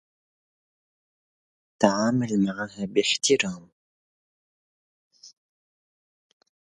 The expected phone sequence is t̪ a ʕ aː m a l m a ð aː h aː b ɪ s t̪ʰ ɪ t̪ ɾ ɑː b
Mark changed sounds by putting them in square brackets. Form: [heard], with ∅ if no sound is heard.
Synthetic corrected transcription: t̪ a ʕ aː m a l m a [ʕ] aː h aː b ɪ [ħ] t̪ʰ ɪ [∅] ɾ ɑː [m]